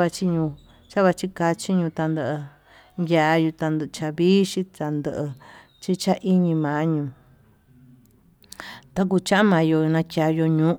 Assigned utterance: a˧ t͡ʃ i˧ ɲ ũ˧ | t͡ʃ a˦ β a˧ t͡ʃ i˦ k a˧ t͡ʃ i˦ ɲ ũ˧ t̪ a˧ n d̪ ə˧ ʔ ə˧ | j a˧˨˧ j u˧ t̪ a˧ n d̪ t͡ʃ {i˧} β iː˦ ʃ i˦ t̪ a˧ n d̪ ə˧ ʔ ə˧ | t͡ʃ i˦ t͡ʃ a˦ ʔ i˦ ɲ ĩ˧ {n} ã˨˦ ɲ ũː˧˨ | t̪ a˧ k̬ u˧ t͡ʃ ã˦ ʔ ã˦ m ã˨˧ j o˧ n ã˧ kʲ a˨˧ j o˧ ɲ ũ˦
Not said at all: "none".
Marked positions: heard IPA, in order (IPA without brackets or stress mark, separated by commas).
a˧, m